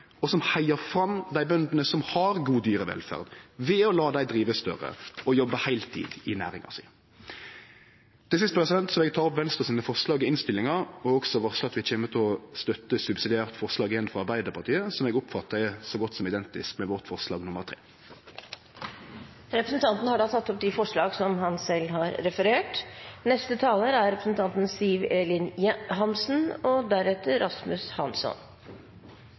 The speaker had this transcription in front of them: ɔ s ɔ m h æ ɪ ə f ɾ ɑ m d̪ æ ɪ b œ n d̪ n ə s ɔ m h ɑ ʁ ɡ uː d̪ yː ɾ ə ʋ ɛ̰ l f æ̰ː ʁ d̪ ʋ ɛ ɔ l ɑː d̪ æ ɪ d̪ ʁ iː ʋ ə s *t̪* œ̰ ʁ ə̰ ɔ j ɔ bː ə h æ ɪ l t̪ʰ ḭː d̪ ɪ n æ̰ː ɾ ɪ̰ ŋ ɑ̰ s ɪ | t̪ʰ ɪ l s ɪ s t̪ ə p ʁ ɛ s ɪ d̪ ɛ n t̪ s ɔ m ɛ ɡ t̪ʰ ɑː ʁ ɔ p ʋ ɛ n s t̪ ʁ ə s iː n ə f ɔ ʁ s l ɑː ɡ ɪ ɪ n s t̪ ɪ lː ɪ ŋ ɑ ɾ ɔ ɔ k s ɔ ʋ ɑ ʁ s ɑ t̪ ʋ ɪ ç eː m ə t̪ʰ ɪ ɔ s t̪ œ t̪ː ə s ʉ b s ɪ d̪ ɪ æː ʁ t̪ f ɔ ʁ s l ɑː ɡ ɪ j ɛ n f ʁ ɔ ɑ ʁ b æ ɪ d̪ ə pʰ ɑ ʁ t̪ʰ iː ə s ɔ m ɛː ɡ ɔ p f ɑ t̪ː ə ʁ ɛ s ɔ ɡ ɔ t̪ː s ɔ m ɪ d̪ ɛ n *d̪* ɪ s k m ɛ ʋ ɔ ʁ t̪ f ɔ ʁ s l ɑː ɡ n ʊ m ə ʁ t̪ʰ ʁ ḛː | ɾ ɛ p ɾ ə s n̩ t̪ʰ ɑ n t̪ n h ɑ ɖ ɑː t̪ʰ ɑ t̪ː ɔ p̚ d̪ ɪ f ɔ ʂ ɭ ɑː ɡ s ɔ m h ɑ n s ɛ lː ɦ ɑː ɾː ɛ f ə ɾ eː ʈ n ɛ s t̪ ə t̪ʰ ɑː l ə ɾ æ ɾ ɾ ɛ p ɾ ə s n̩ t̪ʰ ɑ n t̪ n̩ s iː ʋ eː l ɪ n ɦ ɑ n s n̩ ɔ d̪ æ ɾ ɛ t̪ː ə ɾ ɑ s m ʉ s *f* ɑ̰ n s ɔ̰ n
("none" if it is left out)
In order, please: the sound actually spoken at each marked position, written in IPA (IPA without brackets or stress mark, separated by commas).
t̪, t̪, h